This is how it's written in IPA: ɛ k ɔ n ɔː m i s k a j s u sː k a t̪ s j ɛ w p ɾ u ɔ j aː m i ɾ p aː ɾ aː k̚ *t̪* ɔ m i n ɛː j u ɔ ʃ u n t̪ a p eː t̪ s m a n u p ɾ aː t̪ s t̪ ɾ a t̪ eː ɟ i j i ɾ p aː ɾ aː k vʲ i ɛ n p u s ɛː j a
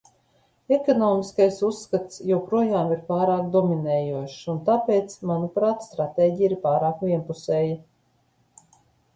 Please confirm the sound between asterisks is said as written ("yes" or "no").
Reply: no